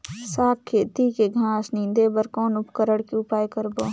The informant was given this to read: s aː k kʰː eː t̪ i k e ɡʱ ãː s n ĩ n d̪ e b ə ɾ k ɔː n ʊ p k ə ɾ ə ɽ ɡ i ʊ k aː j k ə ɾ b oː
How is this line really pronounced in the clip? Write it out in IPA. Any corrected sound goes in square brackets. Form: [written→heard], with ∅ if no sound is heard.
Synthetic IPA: s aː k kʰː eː t̪ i k e ɡʱ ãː s n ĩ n d̪ e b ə ɾ k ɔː n ʊ p k ə ɾ ə ɽ [ɡ→k] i ʊ [k→p] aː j k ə ɾ b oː